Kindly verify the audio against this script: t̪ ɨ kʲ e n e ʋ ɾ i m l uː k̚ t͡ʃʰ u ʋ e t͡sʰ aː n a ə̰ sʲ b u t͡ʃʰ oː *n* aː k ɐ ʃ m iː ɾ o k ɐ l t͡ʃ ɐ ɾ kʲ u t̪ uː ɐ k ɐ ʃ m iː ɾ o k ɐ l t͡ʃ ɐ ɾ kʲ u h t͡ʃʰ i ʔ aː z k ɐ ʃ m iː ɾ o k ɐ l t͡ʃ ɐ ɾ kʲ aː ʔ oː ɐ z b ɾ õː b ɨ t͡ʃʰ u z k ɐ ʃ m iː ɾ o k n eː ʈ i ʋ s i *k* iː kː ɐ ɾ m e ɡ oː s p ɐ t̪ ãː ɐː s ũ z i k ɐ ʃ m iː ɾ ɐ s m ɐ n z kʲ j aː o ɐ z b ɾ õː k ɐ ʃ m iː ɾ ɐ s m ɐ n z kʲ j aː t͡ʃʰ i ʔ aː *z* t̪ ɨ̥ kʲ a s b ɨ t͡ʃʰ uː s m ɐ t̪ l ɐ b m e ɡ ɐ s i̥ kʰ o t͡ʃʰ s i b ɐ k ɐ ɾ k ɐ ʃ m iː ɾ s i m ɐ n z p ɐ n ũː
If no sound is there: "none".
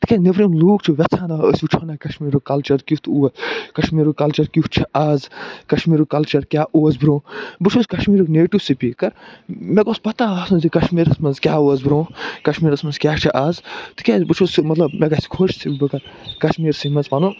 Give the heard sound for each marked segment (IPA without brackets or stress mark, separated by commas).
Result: n, p, z